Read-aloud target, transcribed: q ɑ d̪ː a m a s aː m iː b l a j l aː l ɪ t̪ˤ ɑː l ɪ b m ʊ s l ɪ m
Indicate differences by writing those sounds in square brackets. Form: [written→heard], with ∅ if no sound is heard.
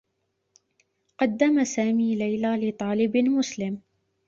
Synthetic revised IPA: q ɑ d̪ː a m a s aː m iː [b→∅] l a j l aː l ɪ t̪ˤ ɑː l ɪ b m ʊ s l ɪ m